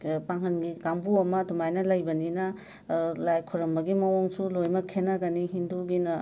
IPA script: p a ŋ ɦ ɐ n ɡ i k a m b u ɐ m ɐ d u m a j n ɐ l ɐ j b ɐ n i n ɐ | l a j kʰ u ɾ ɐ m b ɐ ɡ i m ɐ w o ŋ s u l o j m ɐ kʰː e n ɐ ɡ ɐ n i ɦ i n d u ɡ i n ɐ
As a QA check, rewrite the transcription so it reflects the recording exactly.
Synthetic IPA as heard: p a ŋ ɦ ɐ n ɡ i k a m b u ɐ m ɐ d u m a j n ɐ l ɐ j b ɐ n i n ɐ | l a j kʰ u ɾ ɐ m b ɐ ɡ i m ɐ w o ŋ s u l o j m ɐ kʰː e n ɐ ɡ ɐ n i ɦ i n d u ɡ i n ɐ